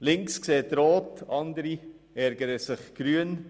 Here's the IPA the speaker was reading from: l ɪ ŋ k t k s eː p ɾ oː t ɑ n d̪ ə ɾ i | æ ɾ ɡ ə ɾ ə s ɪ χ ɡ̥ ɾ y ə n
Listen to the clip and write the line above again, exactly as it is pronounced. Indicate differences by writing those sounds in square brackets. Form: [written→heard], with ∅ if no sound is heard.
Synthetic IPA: l ɪ ŋ k [t→s] k s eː [p→t] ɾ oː t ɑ n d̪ ə ɾ i | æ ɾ ɡ ə ɾ ə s ɪ χ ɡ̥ ɾ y ə n